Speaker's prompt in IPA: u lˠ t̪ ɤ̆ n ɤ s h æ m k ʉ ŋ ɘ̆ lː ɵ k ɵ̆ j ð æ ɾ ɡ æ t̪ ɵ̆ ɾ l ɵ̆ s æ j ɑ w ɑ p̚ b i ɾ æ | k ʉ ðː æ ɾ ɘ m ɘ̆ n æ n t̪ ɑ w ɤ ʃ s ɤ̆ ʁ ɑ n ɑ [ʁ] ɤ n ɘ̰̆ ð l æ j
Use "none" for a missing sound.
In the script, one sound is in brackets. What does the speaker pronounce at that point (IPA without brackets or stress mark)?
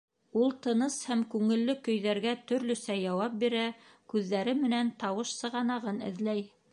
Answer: ʁ